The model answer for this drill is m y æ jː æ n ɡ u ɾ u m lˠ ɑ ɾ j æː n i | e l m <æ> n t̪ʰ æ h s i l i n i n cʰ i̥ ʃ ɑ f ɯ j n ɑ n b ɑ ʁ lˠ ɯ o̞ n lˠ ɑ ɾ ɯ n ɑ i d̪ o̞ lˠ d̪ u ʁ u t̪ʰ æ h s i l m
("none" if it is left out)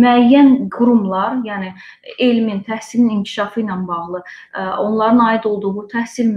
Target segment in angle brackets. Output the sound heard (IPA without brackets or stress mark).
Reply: i